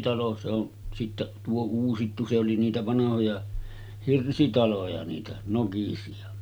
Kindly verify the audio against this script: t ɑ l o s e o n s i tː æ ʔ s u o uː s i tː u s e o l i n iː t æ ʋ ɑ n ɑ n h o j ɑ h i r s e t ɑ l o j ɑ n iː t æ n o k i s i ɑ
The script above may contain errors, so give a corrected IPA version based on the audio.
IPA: t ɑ l o s e o n s i tː æ ʔ t u o uː s i tː u s e o l i n iː t æ ʋ ɑ n ɑ h o j ɑ h i r s i t ɑ l o j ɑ n iː t æ n o k i s i ɑ

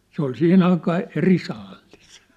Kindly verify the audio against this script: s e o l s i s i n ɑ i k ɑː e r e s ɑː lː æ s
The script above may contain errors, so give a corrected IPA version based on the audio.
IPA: s e o l s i h i n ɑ i k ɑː e r i s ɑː lː i s

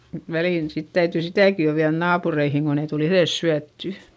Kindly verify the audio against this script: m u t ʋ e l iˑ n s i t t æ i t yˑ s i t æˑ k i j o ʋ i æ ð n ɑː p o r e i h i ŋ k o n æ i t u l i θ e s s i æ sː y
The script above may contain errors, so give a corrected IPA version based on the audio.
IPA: m u t ʋ æ l iˑ n s i t t æ y t yˑ s i t æˑ k i j o ʋ i æ ð n ɑː p u r e i h i ŋ k o n e i t u l i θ e s s y æ tː y

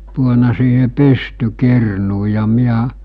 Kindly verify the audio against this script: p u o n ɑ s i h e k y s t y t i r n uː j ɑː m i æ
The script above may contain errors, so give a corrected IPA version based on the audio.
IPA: p u o n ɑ s iː h e p y s t y k i r n uː j ɑ m i æ

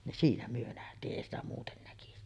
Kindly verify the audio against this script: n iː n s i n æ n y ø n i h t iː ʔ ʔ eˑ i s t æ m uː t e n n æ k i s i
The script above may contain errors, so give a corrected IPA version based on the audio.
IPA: n i n s iː n æ m y ø n æ h t iː ʔ ʔ eˑ i s t æ m uː t e n n æ k i s i

